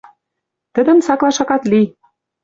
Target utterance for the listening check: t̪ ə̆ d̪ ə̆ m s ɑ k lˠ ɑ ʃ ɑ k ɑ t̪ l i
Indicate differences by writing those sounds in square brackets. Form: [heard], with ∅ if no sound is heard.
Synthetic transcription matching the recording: t̪ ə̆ d̪ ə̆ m s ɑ k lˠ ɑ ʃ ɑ k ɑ t̪ l i